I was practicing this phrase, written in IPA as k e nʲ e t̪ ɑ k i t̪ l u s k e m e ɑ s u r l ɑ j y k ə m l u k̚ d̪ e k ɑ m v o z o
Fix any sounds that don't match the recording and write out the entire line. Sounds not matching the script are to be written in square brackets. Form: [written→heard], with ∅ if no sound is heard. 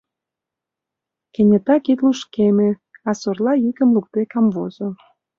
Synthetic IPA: k e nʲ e t̪ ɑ k i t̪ l u [s→ʃ] k e m e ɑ s [u→o] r l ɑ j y k ə m l u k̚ [d̪→t̪] e k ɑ m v o z o

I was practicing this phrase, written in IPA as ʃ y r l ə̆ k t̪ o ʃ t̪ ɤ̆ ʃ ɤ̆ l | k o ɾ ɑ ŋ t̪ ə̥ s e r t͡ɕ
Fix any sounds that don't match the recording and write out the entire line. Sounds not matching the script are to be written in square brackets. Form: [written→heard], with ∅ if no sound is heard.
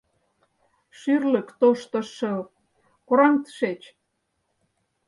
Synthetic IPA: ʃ y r l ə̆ k t̪ o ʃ t̪ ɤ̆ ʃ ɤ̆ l | k o ɾ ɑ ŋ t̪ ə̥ [s→ʃ] e [r→∅] t͡ɕ

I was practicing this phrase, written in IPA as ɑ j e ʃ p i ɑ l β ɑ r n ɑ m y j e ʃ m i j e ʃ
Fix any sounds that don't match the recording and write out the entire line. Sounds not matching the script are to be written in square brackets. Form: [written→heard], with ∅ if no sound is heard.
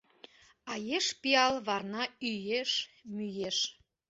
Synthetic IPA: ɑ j e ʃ p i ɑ l β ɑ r n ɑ [m→∅] y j e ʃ m [i→y] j e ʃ

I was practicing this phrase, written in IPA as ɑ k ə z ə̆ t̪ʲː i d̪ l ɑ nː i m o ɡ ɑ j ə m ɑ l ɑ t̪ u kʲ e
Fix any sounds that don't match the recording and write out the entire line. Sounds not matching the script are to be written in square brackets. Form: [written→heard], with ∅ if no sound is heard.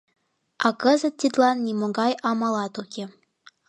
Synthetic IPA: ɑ k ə z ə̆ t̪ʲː i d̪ l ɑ nː i m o ɡ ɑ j [ə→ɑ] m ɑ l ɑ t̪ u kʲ e

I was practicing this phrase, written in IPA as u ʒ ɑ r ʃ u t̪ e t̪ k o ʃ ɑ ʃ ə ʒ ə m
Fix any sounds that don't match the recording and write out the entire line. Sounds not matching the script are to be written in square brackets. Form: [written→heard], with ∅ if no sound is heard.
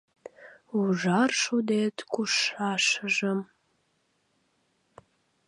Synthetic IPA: u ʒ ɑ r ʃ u [t̪→d̪] e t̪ k [o→u] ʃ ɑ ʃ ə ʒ ə m

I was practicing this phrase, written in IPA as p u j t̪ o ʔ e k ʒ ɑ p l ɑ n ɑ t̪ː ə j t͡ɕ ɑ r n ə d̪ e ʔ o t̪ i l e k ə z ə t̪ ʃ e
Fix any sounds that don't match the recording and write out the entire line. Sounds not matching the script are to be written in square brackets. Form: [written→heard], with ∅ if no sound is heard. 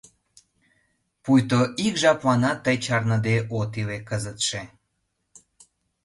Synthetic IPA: p u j t̪ o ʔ [e→i] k ʒ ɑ p l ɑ n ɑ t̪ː ə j t͡ɕ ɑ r n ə d̪ e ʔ o t̪ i l e k ə z ə t̪ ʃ e

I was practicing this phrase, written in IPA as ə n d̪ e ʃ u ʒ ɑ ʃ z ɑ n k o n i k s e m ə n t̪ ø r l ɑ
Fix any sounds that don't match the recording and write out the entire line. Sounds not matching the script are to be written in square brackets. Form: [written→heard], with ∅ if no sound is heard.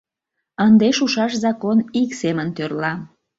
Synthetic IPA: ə n d̪ e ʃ u [ʒ→ʃ] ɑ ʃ z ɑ [n→∅] k o n i k s e m ə n t̪ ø r l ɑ

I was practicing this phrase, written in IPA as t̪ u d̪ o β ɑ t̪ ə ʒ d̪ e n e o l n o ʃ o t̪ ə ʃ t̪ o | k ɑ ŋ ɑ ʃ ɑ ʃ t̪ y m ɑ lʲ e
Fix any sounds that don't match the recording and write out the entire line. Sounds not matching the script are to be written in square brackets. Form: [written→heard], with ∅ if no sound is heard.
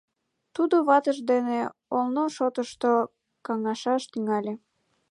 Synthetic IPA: t̪ u d̪ o β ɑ t̪ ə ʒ d̪ e n e o l n o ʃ o t̪ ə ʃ t̪ o | k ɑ ŋ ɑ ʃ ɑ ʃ t̪ y [m→ŋ] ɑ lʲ e

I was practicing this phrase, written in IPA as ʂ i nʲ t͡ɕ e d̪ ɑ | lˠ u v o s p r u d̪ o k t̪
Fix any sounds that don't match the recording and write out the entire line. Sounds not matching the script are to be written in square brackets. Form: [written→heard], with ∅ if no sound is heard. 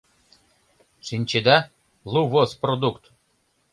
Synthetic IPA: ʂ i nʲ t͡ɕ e d̪ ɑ | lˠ u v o s p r [u→o] d̪ [o→u] k t̪

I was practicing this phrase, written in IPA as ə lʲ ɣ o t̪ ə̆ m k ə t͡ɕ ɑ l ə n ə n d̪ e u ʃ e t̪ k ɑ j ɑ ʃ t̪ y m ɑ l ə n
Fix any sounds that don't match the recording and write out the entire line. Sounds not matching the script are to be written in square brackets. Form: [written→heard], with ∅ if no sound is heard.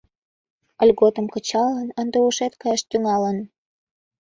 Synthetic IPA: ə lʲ ɣ o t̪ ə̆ m k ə t͡ɕ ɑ l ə n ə n d̪ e u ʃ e t̪ k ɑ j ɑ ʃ t̪ y [m→ŋ] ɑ l ə n

